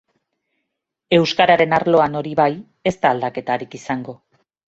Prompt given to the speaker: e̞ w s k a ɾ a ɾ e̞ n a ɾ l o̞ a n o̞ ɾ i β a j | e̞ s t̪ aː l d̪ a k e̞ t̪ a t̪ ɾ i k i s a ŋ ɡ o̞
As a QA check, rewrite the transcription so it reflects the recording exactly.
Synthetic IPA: e̞ w s k a ɾ a ɾ e̞ n a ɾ l o̞ a n o̞ ɾ i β a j | e̞ s t̪ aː l d̪ a k e̞ t̪ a ɾ i k i s a ŋ ɡ o̞